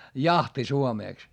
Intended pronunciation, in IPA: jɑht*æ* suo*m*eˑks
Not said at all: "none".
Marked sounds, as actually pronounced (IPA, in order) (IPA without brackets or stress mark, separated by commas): i, m